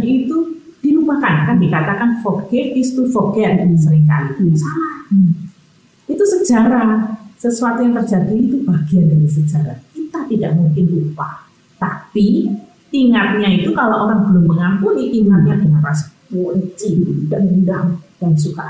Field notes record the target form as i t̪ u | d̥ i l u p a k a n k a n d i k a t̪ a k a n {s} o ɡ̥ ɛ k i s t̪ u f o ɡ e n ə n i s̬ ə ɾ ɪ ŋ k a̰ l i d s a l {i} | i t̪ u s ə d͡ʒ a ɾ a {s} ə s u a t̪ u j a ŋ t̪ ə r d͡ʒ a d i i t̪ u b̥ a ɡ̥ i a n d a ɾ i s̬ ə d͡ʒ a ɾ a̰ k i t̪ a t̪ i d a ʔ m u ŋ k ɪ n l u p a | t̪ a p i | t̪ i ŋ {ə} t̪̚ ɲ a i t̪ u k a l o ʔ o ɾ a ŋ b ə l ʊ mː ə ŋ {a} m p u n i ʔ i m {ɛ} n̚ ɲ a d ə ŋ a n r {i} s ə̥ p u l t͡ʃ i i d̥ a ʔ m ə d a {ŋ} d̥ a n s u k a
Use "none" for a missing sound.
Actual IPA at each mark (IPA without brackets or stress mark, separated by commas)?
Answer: f, a, s, a, a, a, a, ŋ